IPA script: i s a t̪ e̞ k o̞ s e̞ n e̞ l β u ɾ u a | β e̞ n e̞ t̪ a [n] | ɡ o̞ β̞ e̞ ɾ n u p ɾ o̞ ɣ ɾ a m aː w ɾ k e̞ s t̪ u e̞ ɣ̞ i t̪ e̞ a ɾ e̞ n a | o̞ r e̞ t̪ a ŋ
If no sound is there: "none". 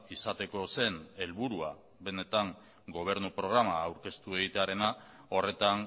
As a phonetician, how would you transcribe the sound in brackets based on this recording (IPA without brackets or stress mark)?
ŋ